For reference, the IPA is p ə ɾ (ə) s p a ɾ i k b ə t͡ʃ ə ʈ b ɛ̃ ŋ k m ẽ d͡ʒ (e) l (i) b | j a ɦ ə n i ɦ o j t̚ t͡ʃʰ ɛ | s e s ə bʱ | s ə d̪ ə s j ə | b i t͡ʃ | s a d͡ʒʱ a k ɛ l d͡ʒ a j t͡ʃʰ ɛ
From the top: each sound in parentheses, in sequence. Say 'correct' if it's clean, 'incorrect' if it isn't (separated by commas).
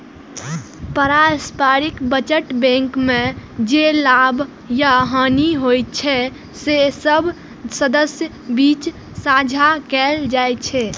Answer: incorrect, correct, incorrect